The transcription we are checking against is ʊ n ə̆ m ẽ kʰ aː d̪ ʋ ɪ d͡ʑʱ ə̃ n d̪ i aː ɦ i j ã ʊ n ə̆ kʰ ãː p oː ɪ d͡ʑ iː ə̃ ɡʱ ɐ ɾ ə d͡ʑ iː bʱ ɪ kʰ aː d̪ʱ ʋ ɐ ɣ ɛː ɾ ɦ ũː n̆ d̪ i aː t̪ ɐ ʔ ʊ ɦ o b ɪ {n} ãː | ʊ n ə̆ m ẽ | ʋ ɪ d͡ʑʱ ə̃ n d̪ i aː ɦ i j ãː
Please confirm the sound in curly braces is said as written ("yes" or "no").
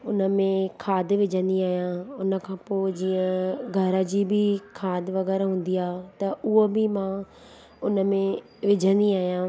no